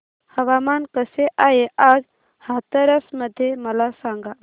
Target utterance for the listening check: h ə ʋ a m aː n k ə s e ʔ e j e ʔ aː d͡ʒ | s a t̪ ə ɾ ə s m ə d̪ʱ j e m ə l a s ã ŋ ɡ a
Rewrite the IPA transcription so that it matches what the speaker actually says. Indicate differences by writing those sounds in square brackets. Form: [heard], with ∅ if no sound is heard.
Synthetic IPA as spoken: h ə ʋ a m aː n k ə s e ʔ [a] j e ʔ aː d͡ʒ | [h] a t̪ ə ɾ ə s m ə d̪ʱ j e m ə l a s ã ŋ ɡ a